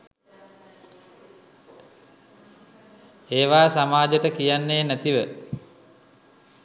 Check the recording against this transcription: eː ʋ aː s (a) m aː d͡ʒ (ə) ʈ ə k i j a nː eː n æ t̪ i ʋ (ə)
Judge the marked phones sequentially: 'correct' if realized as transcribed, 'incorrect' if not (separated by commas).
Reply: correct, correct, correct